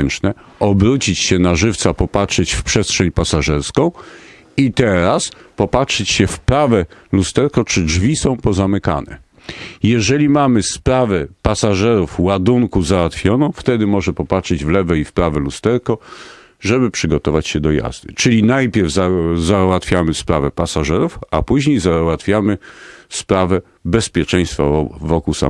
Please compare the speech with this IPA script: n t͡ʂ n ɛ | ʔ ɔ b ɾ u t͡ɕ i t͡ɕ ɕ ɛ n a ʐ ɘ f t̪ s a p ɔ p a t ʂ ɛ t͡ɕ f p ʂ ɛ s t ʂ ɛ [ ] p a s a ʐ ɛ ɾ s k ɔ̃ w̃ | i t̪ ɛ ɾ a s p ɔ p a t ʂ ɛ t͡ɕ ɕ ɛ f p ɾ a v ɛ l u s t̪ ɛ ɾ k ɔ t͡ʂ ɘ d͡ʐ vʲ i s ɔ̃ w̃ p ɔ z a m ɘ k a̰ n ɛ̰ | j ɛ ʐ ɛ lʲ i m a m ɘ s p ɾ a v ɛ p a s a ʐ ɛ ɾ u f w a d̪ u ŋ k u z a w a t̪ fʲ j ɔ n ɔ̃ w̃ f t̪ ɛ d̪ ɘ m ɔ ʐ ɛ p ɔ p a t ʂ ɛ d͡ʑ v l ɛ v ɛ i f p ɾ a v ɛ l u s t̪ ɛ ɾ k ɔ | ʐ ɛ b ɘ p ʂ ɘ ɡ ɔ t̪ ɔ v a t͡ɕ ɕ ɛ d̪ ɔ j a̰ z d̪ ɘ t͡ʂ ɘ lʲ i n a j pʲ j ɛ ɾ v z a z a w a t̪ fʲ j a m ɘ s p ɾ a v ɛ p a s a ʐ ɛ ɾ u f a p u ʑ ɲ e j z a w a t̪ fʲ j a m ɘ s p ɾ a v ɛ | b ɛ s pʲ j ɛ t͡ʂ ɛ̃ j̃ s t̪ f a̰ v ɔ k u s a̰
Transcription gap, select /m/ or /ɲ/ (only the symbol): ɲ